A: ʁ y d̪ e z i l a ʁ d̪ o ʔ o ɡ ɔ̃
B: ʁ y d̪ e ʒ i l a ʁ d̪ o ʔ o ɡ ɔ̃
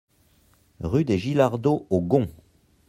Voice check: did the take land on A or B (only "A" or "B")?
B